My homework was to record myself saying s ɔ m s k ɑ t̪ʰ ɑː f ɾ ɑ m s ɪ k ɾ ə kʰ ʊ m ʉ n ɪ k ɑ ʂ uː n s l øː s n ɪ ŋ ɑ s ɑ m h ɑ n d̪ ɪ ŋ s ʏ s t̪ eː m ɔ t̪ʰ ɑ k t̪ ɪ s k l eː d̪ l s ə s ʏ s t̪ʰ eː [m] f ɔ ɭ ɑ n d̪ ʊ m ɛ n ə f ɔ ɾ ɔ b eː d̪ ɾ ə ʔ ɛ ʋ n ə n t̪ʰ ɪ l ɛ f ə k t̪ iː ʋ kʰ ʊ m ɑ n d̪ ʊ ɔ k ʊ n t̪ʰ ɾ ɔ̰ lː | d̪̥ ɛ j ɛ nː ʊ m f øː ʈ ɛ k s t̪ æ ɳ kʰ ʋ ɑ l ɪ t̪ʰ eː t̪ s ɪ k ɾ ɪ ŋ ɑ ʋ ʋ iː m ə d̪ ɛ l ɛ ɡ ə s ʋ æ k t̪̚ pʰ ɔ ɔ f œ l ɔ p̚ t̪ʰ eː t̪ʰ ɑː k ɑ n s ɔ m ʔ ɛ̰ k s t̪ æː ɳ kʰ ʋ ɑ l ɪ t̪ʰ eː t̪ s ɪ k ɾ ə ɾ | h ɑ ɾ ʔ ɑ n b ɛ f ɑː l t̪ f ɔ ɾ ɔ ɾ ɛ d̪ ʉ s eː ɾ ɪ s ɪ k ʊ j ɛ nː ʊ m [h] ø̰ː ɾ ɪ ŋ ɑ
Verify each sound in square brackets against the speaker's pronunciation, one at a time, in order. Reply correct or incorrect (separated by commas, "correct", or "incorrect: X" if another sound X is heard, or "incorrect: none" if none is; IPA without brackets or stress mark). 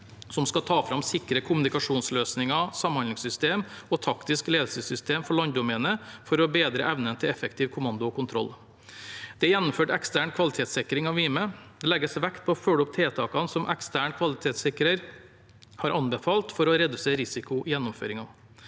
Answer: correct, incorrect: f